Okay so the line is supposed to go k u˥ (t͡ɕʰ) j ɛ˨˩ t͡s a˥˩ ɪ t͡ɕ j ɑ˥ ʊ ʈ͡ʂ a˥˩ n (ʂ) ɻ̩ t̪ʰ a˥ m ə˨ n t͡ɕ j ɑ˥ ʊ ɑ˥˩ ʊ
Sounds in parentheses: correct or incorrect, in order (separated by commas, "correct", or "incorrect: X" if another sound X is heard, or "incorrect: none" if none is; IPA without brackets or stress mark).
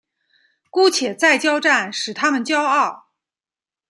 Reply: correct, correct